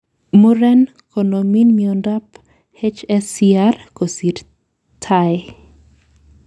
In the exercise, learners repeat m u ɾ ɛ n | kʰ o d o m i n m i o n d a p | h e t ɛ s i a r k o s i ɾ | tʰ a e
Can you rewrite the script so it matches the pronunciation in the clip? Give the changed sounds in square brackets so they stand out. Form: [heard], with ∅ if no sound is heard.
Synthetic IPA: m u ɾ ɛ n | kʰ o [n] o m i n m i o n d a p | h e [t͡ʃ] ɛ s i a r k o s i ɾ | tʰ a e